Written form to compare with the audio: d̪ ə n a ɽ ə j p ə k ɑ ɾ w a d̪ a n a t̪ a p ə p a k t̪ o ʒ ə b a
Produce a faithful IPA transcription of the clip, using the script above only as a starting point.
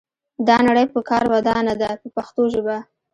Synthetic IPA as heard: d̪ ɑ n a ɽ ə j p ə k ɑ ɾ w a d̪ ɑ n a d̪ a p ə p a x t̪ o ʒ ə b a